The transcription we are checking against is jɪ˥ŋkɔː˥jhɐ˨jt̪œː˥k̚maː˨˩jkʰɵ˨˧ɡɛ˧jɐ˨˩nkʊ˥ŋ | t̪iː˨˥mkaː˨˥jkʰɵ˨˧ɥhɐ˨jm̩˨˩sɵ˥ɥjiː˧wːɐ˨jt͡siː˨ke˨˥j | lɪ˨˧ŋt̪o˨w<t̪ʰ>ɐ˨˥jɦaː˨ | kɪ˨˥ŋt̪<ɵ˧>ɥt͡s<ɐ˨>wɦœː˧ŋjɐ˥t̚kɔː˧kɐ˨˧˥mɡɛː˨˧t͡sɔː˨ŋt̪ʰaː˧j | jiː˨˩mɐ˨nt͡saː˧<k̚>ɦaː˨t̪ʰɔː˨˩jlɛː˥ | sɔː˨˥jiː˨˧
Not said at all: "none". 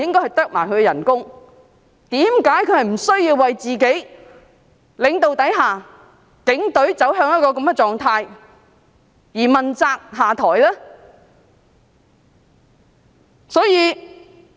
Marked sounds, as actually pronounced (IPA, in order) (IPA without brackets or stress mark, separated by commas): t̪, ɵ˨˥, ɐ˨˥, k̚